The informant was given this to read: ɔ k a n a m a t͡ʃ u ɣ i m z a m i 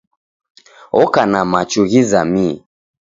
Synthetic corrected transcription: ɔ k a n a m a t͡ʃ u ɣ i z a m i